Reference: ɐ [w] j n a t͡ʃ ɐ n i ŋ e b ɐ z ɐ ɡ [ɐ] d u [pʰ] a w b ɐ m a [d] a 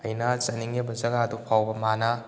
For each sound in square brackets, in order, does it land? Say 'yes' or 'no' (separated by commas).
no, no, yes, no